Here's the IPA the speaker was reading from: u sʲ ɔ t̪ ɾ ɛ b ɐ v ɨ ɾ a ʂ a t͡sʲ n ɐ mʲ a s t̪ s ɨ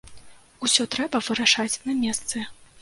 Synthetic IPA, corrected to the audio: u sʲ ɔ t̪ ɾ ɛ b ɐ v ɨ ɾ a ʂ a t͡sʲ n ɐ mʲ ɛ s t̪ s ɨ